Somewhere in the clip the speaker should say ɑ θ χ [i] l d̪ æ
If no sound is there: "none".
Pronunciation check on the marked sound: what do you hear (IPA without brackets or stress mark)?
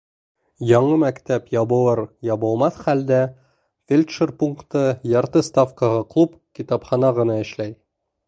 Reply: æ